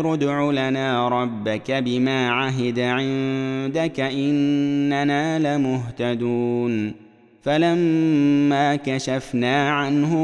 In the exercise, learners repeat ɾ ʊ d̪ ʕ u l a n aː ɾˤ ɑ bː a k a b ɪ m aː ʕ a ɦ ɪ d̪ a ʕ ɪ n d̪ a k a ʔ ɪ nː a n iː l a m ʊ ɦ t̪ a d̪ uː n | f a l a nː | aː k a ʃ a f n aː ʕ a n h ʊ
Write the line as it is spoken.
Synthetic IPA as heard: ɾ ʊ d̪ ʕ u l a n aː ɾˤ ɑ bː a k a b ɪ m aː ʕ a ɦ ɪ d̪ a ʕ ɪ n d̪ a k a ʔ ɪ nː a n aː l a m ʊ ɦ t̪ a d̪ uː n | f a l a mː | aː k a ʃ a f n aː ʕ a n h ʊ